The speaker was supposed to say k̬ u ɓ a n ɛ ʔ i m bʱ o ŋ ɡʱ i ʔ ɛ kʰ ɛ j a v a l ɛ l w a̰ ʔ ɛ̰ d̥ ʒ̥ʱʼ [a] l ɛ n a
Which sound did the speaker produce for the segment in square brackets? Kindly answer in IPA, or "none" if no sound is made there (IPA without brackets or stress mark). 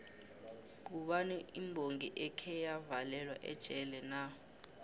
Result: ɛ